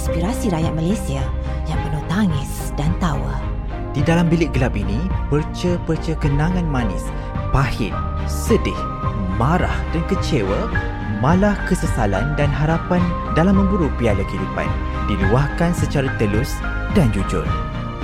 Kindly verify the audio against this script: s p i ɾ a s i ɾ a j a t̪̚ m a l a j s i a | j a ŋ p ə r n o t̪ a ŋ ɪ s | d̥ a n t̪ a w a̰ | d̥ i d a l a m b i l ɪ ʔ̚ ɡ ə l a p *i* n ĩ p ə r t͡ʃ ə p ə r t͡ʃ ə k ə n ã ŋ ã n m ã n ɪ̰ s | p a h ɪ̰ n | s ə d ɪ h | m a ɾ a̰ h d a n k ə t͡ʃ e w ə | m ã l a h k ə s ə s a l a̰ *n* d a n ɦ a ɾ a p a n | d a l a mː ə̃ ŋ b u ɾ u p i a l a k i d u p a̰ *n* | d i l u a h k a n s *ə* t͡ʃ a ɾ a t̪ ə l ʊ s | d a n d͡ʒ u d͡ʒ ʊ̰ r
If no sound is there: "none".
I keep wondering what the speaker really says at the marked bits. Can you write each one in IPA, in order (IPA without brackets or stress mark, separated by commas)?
i, n, n, ə